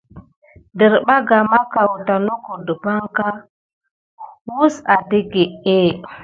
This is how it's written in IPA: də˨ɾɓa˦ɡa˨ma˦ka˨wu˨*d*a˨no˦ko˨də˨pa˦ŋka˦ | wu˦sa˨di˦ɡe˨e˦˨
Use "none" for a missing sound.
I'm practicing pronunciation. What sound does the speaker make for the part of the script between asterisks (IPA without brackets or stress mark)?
t